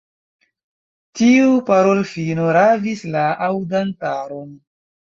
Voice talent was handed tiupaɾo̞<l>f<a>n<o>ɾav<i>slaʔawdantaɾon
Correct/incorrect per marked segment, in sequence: correct, incorrect, correct, correct

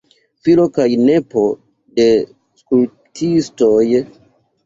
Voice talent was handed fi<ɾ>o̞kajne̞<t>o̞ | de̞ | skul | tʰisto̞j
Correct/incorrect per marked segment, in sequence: incorrect, incorrect

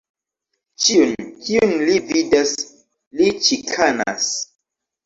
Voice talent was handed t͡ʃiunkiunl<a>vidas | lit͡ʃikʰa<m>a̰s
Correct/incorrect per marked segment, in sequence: incorrect, incorrect

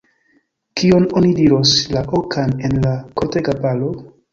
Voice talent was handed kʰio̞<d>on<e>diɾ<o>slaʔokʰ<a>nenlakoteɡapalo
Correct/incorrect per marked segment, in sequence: incorrect, incorrect, correct, correct

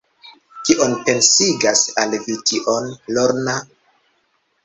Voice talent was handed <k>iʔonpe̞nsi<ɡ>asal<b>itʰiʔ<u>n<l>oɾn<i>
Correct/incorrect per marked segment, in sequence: correct, correct, incorrect, incorrect, correct, incorrect

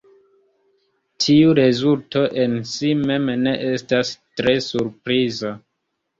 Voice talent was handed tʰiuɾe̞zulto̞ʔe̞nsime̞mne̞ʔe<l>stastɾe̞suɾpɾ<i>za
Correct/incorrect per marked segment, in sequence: incorrect, correct

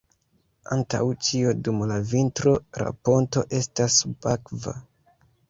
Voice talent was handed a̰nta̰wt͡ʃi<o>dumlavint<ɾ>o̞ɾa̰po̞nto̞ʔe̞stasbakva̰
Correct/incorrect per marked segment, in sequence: correct, correct

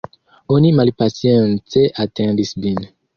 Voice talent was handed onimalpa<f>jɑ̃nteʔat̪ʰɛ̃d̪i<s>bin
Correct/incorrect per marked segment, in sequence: incorrect, correct

